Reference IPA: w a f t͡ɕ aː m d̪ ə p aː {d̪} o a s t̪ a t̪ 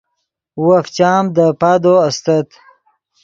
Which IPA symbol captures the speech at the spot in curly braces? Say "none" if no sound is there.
d̪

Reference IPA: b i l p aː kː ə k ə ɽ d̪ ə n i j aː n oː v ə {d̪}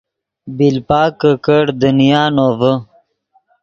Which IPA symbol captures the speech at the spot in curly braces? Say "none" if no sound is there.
none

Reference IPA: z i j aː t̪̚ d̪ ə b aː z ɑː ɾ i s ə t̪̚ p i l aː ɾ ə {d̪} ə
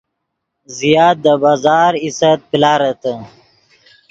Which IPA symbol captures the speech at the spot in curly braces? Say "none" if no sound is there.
t̪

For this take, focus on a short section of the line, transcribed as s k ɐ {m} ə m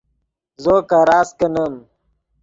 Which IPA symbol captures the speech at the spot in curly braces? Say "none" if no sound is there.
n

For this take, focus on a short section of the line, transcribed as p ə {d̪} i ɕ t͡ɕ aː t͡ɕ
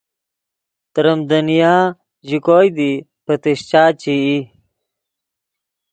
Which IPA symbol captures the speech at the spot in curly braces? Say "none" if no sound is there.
t̪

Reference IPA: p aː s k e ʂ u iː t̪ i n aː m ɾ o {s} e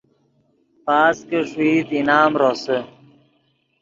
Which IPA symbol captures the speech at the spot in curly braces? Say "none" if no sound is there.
s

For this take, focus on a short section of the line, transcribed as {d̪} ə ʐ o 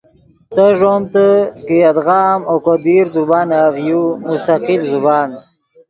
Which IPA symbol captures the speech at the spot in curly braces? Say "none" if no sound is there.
t̪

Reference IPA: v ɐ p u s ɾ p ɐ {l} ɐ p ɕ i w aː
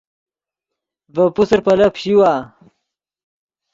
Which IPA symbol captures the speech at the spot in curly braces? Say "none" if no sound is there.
l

